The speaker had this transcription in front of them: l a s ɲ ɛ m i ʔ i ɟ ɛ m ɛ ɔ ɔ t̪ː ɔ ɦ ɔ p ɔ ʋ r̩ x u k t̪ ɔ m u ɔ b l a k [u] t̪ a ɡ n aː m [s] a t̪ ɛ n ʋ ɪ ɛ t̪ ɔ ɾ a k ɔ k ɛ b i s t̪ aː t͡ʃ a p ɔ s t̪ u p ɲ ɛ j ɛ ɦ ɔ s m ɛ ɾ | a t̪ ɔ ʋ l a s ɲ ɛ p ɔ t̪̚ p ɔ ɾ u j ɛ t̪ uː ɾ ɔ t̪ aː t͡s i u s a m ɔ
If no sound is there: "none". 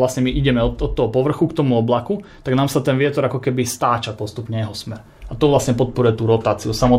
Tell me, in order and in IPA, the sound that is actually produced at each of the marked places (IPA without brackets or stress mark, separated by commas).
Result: u, s